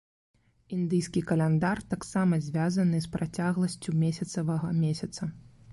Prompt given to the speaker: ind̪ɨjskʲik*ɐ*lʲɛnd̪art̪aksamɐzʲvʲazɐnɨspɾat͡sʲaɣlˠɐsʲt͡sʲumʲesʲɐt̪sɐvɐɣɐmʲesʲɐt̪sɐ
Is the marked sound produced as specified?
yes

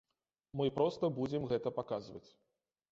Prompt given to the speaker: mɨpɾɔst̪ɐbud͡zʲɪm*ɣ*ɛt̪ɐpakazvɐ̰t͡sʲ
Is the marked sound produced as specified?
yes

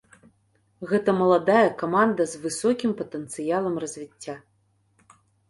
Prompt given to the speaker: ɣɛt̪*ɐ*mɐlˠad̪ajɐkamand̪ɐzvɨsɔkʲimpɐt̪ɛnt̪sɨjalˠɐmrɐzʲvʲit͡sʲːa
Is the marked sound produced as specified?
yes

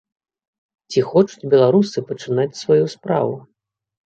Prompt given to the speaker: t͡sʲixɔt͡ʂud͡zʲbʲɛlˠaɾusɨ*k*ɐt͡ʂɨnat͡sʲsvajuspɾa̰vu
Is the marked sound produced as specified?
no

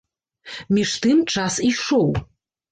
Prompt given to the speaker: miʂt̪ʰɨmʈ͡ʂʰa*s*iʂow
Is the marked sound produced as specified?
yes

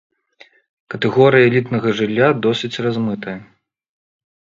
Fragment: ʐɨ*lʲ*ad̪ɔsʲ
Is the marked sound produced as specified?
no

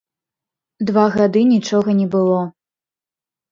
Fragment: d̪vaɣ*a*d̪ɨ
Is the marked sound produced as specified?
yes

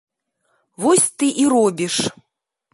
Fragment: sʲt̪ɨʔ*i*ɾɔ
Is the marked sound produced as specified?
yes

